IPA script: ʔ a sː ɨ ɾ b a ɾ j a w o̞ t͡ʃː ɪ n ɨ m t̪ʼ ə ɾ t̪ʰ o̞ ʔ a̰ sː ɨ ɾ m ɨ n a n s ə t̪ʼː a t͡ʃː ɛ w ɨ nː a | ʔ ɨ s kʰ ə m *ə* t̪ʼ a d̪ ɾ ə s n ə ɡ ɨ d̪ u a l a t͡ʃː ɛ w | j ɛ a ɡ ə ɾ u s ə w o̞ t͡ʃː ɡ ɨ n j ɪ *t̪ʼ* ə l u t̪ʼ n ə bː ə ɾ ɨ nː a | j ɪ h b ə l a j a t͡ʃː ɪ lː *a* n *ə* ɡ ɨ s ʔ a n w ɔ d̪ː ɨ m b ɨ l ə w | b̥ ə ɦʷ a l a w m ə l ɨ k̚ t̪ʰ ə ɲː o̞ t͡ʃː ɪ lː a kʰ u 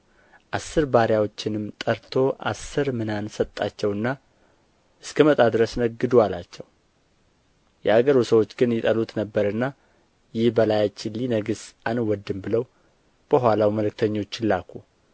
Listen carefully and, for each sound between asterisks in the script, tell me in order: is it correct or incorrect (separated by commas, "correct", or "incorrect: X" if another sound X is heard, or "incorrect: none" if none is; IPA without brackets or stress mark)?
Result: correct, correct, incorrect: i, correct